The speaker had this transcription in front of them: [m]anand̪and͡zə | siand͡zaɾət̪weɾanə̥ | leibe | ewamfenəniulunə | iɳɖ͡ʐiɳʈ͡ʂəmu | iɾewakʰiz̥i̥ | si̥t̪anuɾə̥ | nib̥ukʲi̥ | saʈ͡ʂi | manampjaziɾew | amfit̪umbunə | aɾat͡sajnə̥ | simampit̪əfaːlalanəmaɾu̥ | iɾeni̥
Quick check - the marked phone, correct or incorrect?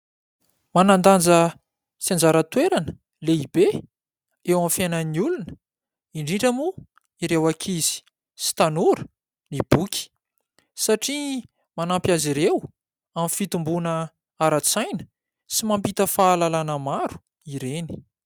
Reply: correct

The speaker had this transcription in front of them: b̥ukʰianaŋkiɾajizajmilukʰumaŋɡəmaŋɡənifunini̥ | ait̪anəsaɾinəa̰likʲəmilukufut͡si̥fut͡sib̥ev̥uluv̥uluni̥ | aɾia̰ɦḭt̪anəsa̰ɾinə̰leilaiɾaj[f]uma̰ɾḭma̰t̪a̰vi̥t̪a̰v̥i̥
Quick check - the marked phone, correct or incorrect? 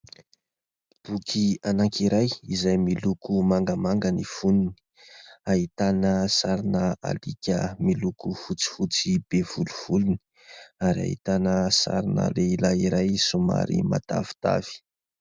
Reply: incorrect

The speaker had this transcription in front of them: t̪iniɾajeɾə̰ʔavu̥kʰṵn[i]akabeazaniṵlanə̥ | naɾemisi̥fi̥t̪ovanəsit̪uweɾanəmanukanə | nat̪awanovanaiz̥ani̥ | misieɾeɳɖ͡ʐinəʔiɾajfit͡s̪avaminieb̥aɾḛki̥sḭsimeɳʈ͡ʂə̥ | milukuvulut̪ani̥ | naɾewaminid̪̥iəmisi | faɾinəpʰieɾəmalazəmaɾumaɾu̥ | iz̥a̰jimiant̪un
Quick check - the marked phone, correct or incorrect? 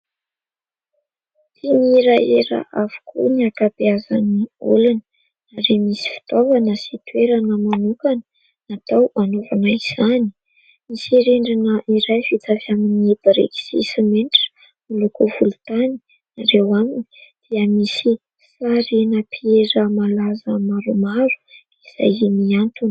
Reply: correct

